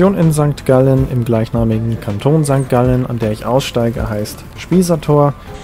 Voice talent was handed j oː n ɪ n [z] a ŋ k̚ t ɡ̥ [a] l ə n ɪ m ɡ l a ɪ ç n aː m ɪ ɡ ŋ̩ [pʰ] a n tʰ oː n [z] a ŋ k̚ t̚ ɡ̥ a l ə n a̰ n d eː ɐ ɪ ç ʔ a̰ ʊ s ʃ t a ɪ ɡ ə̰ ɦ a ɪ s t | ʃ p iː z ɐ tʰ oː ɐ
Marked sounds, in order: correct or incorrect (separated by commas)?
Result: correct, correct, incorrect, correct